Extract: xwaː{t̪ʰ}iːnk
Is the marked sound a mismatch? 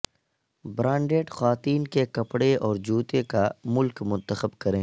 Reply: yes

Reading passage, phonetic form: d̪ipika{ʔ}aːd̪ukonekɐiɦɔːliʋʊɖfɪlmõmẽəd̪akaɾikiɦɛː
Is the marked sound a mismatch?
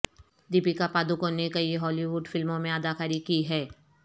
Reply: yes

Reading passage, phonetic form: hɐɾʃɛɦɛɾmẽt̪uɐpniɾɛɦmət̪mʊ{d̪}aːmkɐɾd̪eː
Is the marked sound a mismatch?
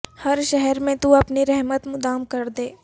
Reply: no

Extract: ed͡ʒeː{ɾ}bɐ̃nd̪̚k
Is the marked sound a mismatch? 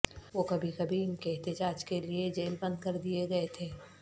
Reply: yes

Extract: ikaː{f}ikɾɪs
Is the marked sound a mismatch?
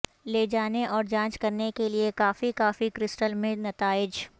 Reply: no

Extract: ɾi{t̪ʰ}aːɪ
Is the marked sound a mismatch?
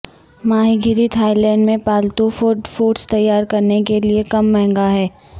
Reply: no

